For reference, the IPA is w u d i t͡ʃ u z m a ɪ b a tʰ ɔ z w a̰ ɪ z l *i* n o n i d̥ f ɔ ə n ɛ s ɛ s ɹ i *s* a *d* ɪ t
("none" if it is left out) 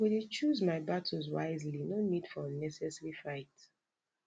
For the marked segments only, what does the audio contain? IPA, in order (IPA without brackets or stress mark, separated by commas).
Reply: i, f, none